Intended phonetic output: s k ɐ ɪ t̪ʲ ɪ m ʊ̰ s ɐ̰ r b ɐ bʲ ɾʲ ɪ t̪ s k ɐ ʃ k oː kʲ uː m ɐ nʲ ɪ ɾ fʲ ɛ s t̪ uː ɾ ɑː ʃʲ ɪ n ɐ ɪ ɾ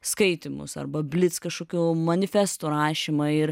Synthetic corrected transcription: s k ɐ ɪ t̪ʲ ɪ m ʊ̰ s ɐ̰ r b ɐ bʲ lʲ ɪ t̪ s k ɐ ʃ k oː kʲ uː m ɐ nʲ ɪ fʲ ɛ s t̪ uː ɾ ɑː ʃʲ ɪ m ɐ ɪ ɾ